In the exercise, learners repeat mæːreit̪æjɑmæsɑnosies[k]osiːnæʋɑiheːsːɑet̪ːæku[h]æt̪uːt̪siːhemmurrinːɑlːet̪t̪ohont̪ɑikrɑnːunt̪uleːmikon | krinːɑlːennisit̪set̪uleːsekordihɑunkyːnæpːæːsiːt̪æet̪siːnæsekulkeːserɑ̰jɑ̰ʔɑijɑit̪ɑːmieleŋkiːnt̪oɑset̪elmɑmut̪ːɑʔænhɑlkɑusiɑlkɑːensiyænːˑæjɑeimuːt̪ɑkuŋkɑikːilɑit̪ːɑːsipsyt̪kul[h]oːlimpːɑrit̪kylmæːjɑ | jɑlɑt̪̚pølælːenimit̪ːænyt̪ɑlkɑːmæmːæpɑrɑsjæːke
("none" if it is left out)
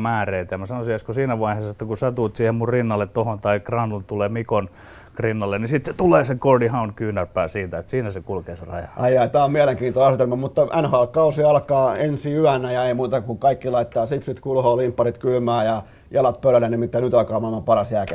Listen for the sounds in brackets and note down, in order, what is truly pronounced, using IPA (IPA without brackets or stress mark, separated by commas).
k, s, h